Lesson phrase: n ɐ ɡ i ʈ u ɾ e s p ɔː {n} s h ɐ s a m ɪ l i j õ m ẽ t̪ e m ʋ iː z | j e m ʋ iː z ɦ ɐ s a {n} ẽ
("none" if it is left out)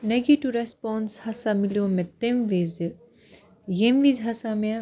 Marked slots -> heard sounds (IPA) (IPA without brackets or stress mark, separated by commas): n, m